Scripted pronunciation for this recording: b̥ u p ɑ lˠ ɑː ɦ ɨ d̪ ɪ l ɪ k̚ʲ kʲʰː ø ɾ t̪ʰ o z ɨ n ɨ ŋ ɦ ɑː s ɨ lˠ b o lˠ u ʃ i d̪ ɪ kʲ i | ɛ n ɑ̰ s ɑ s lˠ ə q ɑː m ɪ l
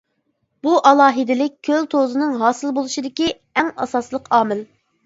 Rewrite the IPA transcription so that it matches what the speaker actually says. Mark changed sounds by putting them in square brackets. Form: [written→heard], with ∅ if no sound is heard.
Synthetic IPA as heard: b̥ u [p→ʔ] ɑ lˠ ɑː ɦ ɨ d̪ ɪ l ɪ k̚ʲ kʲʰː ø [ɾ→l] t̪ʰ o z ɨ n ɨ ŋ ɦ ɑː s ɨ lˠ b o lˠ u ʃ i d̪ ɪ kʲ i | ɛ [n→ŋ] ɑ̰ s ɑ s lˠ ə q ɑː m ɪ l